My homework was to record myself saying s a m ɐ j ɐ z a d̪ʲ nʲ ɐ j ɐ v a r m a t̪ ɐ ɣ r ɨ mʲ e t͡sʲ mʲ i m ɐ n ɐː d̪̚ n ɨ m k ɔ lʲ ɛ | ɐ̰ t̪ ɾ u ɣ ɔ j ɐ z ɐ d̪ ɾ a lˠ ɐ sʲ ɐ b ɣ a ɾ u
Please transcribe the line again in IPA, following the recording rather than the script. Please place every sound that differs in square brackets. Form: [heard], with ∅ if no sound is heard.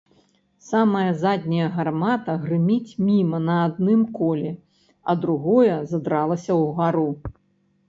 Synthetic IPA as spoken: s a m ɐ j ɐ z a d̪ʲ nʲ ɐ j ɐ [ɣ] a r m a t̪ ɐ ɣ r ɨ mʲ [i] t͡sʲ mʲ i m ɐ n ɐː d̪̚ n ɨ m k ɔ lʲ ɛ | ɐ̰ [d̪] ɾ u ɣ ɔ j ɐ z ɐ d̪ ɾ a lˠ ɐ sʲ ɐ [w] ɣ a ɾ u